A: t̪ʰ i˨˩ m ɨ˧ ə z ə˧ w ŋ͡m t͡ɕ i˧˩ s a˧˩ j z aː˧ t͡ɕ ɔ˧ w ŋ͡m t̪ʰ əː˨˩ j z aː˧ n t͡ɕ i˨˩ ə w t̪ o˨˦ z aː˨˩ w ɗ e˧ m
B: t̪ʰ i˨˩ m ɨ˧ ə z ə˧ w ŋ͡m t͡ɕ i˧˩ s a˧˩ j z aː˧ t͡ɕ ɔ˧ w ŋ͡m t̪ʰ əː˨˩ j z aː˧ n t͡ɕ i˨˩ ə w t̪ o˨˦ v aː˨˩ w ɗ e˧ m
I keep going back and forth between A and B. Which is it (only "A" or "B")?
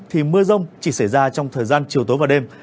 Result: B